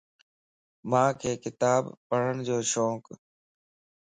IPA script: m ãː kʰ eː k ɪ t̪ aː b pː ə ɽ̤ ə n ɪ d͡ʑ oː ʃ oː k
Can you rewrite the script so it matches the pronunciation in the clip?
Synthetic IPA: m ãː kʰ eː k ɪ t̪ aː b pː ə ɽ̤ ə n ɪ d͡ʑ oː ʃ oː k